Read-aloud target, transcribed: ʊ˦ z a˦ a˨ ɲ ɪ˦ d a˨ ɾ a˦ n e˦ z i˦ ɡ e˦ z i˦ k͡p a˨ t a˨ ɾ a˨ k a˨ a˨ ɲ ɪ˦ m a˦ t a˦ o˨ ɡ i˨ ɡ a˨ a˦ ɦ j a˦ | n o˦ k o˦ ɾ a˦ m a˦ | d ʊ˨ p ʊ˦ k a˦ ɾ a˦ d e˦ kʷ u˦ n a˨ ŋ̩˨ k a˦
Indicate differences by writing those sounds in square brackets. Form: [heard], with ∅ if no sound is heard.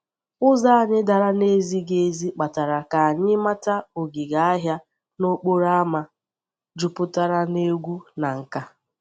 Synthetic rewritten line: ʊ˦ z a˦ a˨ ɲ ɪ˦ d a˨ ɾ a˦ n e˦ z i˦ ɡ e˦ z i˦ k͡p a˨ t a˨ ɾ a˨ k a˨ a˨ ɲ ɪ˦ m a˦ t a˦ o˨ ɡ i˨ ɡ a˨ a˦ ɦ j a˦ | n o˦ [k͡p] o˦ ɾ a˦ m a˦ | [d͡ʒ] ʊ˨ p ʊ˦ [t] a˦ ɾ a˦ [n] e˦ [ɡʷ] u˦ n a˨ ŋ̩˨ k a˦